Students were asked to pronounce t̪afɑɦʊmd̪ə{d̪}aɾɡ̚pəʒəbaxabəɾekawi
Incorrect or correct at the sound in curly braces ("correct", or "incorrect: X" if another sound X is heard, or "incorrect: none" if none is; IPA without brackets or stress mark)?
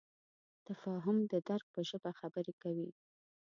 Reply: correct